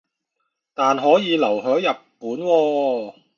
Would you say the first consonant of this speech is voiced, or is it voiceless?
voiceless